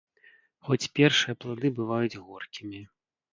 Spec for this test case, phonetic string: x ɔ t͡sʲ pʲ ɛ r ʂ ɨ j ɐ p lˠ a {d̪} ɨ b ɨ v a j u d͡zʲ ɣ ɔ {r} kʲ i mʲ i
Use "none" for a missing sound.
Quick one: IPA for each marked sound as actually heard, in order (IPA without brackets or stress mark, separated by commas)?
d̪, r